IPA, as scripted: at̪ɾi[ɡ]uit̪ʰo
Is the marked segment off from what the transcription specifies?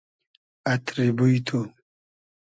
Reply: yes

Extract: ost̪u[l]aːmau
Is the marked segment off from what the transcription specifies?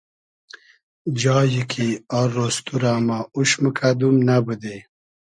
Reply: yes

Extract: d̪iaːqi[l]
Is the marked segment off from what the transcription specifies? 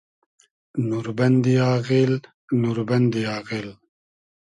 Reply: no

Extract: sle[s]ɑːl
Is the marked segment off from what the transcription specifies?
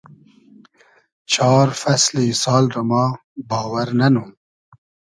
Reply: no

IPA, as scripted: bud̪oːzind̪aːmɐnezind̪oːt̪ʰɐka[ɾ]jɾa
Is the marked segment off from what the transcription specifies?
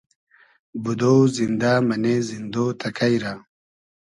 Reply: yes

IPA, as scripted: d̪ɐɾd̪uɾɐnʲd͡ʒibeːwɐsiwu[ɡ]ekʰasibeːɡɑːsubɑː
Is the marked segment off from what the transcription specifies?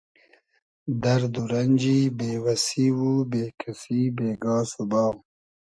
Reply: yes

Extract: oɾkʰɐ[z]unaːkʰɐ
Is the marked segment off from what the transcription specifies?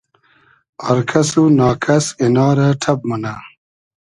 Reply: yes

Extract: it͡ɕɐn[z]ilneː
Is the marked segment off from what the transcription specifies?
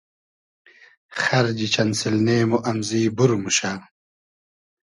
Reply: yes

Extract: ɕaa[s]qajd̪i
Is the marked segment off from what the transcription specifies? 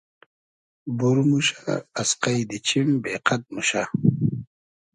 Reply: no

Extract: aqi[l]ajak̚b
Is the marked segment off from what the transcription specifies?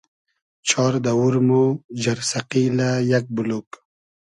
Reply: no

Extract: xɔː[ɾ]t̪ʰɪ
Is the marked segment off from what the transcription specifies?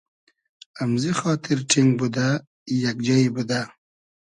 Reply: yes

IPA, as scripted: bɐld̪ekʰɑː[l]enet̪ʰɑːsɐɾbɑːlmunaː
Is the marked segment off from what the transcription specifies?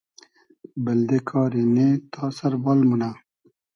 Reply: yes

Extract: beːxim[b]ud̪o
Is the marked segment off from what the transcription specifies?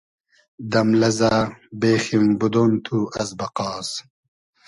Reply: no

